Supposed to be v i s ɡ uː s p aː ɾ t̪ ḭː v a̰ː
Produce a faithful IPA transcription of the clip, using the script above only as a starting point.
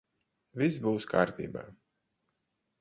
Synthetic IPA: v i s b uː s k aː ɾ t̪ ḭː b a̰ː